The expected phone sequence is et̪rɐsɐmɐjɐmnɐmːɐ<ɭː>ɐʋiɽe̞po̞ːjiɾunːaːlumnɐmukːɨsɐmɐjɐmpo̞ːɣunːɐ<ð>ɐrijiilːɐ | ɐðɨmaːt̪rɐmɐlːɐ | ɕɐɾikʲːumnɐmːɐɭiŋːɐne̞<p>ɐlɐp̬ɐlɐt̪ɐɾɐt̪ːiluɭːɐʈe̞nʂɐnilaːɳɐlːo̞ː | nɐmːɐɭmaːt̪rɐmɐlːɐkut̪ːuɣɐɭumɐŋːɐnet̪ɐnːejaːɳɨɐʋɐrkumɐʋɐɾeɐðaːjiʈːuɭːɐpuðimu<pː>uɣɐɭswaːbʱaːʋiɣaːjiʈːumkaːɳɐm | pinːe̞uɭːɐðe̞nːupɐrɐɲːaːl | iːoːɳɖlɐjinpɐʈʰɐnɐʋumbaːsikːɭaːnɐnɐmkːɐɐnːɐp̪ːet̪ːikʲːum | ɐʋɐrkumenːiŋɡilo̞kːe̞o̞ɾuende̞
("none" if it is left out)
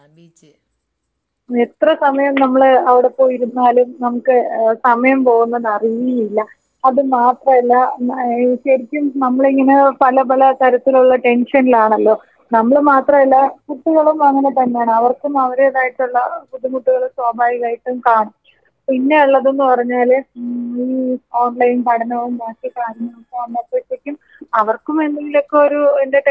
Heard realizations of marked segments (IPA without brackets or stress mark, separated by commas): ɭ, ð, p, ʈː